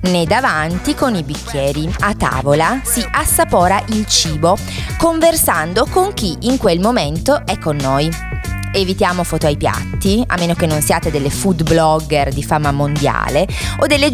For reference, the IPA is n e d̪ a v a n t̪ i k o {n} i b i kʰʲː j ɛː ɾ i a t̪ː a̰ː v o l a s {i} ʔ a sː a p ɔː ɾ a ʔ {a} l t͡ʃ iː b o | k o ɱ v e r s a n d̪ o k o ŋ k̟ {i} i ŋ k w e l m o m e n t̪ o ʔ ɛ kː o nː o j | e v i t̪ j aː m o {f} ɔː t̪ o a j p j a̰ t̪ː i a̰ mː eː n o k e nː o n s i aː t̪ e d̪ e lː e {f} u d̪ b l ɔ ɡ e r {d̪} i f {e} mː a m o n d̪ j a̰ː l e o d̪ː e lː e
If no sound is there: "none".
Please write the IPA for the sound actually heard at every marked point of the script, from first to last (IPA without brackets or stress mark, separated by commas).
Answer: n, i, i, i, f, f, d̪, a